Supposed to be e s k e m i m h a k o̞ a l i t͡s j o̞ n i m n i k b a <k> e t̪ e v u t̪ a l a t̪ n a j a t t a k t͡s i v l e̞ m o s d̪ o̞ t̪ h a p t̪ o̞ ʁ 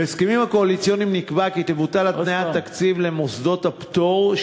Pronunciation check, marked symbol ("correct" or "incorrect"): correct